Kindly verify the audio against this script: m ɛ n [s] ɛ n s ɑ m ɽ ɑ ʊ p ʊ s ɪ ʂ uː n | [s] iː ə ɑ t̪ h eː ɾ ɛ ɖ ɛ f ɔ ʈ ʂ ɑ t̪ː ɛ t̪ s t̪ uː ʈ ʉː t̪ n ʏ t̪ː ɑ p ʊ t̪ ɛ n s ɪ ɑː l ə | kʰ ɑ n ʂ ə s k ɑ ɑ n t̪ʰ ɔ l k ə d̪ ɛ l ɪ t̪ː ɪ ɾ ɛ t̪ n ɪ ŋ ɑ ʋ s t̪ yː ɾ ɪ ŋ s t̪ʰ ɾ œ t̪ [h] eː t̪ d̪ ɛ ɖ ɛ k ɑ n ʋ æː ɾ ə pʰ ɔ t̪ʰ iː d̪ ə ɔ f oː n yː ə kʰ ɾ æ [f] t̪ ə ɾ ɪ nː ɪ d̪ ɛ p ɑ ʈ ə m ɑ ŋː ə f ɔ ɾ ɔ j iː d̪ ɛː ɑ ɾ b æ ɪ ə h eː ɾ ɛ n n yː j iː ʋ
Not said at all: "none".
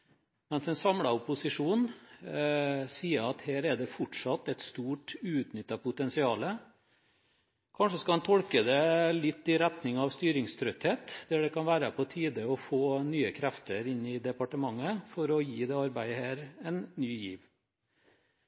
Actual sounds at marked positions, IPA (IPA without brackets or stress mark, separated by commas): s, s, h, f